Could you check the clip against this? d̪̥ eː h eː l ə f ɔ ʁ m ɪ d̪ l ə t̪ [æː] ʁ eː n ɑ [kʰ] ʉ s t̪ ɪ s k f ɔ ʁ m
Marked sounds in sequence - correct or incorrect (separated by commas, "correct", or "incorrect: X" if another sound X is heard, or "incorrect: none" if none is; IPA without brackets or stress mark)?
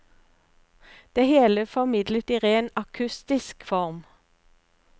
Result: incorrect: iː, correct